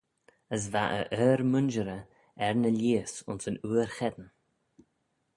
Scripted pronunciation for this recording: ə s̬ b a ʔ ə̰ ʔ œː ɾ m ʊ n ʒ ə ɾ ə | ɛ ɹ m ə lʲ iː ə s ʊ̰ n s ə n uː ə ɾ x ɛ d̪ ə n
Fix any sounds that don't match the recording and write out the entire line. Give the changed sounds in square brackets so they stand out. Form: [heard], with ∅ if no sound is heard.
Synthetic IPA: ə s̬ [v] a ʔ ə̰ ʔ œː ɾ m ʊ n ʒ ə ɾ ə | ɛ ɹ [n] ə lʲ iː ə s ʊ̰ n s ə n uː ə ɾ x ɛ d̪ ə n